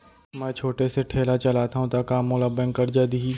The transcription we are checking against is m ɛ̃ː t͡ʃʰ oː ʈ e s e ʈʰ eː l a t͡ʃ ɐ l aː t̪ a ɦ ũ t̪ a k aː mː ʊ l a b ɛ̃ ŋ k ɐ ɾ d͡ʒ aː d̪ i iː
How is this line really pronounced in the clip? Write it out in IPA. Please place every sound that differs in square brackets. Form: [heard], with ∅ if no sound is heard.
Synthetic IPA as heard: m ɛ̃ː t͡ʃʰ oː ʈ e s e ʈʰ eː l a t͡ʃ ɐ l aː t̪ a ɦ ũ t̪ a k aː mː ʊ l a b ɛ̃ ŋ k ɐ ɾ d͡ʒ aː d̪ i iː